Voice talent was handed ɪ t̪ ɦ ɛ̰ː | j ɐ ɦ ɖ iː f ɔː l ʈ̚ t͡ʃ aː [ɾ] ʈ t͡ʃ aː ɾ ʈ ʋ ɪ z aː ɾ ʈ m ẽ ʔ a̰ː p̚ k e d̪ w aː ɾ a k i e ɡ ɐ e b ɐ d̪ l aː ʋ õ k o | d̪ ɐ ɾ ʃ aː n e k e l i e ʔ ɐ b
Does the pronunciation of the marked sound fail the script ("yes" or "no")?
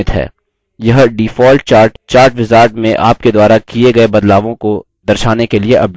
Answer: no